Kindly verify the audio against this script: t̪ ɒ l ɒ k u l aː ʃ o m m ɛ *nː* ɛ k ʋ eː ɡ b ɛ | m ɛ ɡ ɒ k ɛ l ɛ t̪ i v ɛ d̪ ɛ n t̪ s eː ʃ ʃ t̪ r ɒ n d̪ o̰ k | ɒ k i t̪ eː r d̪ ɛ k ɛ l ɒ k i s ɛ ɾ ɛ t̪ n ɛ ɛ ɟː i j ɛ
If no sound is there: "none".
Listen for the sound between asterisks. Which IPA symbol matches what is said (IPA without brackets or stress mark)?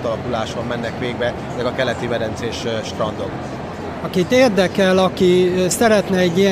nː